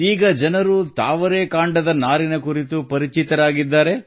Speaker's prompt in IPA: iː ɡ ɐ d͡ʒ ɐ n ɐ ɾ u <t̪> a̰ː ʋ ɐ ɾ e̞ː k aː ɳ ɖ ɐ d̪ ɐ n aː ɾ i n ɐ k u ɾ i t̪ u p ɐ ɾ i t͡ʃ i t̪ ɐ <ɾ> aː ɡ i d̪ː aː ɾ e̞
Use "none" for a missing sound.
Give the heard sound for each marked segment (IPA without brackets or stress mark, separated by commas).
t̪, ɾ